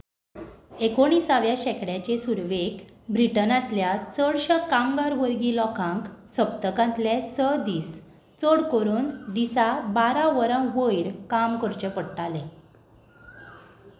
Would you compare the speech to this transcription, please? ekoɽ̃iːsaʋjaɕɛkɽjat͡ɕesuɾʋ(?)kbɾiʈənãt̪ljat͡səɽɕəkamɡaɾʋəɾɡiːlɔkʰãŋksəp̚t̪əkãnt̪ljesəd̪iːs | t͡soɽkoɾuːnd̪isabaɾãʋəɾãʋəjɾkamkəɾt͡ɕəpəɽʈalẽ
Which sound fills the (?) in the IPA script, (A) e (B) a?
A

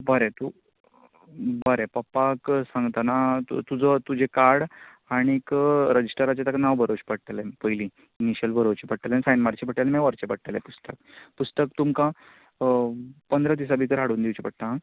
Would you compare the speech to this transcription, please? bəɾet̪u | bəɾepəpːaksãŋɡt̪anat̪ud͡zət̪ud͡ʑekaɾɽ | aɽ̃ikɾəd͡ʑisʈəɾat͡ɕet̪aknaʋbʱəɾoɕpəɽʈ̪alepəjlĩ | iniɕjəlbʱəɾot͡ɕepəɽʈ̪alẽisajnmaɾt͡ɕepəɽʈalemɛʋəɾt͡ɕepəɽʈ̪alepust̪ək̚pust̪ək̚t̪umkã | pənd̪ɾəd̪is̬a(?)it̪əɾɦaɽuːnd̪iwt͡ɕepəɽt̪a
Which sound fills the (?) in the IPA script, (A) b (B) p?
A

